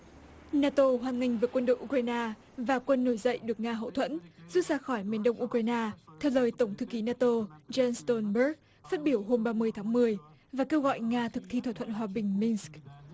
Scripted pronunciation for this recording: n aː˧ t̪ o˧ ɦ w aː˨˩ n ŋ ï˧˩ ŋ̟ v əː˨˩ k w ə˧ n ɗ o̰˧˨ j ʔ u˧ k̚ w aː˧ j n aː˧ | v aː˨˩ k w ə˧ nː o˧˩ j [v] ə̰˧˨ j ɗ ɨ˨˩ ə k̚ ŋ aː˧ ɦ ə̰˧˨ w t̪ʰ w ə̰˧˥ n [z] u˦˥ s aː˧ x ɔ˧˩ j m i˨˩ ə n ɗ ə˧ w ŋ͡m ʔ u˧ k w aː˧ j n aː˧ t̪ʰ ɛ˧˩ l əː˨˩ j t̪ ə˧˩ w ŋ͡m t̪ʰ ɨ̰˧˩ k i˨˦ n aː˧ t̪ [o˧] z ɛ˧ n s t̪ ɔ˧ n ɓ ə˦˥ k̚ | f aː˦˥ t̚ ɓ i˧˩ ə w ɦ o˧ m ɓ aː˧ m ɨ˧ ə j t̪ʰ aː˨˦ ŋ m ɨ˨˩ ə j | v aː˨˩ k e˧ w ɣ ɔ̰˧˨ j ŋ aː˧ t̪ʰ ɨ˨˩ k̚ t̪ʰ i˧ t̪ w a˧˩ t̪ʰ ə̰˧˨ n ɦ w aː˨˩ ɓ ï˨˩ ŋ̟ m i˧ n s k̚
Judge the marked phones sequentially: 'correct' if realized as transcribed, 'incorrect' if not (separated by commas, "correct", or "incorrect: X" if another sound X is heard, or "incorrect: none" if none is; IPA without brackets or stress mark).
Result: incorrect: z, correct, correct